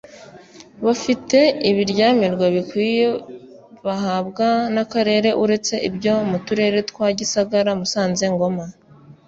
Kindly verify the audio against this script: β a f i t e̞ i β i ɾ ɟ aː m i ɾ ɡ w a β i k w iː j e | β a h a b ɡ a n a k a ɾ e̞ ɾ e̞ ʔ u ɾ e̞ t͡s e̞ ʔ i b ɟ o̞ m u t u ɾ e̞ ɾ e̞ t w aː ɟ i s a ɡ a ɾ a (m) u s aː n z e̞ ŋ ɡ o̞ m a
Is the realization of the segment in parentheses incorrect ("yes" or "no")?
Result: no